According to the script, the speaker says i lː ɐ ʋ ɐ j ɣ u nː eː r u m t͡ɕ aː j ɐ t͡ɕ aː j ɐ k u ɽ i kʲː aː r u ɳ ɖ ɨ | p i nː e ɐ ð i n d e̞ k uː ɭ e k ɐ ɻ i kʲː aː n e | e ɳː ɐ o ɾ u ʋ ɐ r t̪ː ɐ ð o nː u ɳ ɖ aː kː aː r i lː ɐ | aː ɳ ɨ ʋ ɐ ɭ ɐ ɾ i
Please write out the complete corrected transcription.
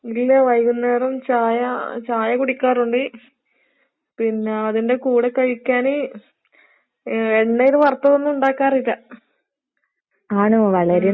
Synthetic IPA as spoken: i lː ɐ ʋ ɐ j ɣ u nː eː r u m t͡ɕ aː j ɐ t͡ɕ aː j ɐ k u ɽ i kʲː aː r u ɳ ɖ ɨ | p i nː e ɐ ð i n d e̞ k uː ɽ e k ɐ ɻ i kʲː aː n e | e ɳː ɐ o ɾ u ʋ ɐ r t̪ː ɐ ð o nː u ɳ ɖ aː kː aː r i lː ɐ | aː ɳ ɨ ʋ ɐ ɭ ɐ ɾ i